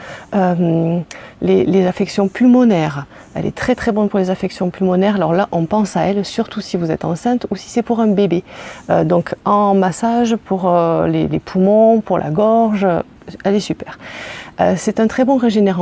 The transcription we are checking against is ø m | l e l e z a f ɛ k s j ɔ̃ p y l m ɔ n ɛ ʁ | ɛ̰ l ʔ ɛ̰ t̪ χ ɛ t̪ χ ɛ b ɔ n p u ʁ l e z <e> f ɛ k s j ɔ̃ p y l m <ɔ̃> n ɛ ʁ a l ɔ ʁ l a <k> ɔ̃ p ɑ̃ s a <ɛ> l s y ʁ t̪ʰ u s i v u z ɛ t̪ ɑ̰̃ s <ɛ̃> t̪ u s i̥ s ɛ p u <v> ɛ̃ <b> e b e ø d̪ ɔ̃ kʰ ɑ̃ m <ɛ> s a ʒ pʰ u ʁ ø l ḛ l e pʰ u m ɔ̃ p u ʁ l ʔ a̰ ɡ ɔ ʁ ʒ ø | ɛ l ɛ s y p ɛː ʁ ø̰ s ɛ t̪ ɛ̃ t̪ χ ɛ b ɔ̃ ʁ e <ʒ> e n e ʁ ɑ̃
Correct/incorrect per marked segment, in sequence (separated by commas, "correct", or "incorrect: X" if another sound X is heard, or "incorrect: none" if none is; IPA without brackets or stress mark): incorrect: a, incorrect: ɔ, incorrect: ʔ, correct, correct, incorrect: ʁ, correct, incorrect: a, correct